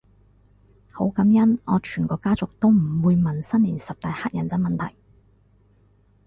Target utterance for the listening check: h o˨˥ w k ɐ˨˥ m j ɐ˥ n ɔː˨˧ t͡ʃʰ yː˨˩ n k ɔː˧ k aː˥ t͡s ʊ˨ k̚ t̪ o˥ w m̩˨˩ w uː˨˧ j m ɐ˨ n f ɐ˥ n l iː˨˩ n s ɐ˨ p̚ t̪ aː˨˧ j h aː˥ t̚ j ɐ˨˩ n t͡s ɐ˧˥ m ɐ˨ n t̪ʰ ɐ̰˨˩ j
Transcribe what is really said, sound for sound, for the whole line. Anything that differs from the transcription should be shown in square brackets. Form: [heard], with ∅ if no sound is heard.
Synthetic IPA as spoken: h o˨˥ w k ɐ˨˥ m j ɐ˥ n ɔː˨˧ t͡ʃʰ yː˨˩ n k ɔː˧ k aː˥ t͡s ʊ˨ k̚ t̪ o˥ w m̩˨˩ w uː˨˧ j m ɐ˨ n [s] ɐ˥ n l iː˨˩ n s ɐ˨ p̚ t̪ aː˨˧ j h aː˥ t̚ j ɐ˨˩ n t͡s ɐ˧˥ m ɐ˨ n t̪ʰ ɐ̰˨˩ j